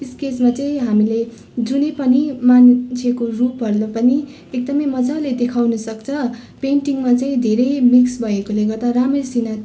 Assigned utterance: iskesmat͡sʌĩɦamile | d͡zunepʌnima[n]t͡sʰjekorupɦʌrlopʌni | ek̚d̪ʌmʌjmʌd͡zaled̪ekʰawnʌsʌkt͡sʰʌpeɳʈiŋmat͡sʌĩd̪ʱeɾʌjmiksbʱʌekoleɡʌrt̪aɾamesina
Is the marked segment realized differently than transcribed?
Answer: no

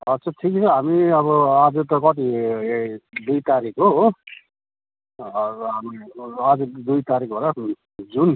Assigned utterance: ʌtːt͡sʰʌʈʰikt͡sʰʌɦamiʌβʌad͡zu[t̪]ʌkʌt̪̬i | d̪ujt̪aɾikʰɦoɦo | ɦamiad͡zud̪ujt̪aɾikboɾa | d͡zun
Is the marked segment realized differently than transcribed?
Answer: no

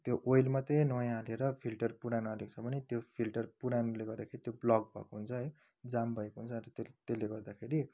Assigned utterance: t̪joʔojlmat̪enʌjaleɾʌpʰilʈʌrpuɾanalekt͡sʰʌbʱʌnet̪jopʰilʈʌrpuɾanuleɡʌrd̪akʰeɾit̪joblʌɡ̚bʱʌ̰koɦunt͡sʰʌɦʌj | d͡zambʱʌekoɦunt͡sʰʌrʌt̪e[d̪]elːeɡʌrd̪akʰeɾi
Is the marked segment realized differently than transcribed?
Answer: yes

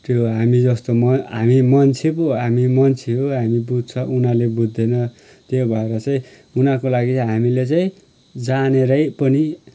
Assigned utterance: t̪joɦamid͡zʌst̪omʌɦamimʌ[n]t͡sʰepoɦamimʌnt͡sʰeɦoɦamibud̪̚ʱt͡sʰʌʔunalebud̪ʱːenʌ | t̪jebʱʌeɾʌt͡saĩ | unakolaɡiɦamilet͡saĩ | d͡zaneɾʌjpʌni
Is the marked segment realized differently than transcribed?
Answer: no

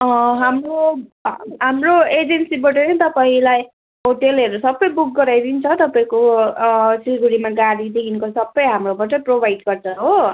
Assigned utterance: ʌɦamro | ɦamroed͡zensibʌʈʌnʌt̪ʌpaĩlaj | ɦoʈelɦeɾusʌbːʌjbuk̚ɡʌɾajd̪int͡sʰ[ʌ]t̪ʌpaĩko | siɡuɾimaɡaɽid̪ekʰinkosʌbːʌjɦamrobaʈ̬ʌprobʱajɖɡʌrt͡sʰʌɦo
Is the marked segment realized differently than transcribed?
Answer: no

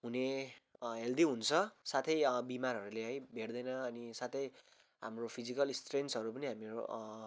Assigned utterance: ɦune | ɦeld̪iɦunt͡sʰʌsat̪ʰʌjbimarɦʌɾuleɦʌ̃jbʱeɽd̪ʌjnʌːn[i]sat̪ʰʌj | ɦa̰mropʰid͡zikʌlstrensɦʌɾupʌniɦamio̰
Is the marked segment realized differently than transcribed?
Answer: no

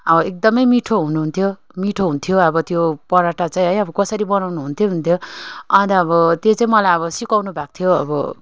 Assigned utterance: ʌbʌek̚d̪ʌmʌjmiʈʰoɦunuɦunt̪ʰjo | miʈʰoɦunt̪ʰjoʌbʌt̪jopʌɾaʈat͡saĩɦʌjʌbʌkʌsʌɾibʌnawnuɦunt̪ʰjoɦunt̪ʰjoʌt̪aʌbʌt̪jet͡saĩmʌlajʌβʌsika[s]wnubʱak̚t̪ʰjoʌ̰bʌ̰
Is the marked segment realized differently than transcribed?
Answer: yes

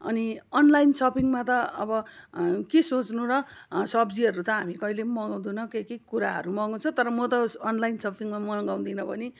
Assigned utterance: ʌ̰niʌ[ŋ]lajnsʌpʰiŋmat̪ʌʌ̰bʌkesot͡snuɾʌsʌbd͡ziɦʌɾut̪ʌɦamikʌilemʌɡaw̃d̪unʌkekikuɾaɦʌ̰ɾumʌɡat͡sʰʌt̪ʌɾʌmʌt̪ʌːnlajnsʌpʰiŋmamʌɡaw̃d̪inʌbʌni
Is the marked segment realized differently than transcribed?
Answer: yes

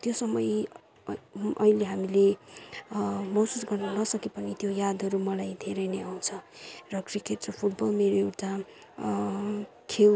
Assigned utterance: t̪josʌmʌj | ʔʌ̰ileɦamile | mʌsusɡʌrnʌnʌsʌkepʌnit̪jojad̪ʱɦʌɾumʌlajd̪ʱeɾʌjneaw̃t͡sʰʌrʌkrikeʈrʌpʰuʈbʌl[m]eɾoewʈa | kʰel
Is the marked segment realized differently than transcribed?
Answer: no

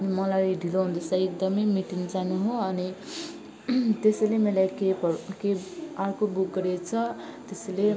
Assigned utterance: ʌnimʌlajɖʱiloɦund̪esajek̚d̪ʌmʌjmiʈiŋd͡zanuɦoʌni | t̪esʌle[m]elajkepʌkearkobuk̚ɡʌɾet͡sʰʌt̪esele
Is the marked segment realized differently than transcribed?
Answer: no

